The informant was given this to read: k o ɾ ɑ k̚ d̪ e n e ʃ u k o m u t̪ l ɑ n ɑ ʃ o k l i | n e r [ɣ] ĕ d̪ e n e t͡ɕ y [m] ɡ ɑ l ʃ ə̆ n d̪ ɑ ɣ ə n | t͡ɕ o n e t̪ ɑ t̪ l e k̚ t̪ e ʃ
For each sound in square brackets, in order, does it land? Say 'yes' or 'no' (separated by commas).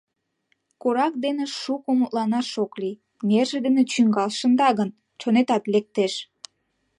no, no